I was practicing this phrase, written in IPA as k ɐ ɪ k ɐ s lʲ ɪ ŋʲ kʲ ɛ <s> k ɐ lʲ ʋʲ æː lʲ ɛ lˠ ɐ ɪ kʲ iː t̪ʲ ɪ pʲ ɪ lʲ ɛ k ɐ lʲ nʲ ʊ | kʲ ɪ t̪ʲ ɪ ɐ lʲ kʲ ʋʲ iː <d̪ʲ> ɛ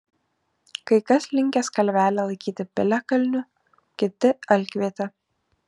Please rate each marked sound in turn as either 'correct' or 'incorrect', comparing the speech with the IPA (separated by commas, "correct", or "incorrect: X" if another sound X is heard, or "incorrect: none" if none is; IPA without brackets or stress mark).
correct, incorrect: t̪ʲ